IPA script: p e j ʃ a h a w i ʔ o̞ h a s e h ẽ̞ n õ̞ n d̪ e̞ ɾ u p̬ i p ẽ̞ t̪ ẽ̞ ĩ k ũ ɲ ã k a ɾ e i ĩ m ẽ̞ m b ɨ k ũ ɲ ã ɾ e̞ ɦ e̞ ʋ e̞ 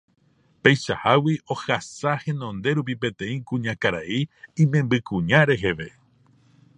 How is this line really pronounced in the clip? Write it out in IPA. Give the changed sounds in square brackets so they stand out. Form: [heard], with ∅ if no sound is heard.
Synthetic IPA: p e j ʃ a h a w i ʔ o̞ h a s [a] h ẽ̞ n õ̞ n d̪ e̞ ɾ u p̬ i p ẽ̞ t̪ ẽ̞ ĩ k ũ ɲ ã k a ɾ [a] i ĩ m ẽ̞ m b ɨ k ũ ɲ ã ɾ e̞ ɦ e̞ ʋ e̞